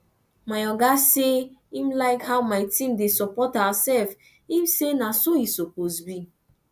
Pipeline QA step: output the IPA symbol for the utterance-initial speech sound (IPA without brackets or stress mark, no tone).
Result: m